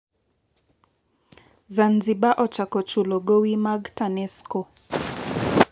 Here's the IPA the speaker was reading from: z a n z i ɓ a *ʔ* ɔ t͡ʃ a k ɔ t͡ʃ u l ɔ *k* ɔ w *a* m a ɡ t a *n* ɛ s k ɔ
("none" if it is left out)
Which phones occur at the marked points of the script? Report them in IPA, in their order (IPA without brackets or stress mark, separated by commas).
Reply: ʔ, ɡ, i, n